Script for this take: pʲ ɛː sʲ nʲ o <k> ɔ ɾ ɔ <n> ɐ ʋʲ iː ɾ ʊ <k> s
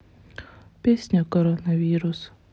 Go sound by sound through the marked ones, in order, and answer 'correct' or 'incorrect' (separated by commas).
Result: correct, correct, incorrect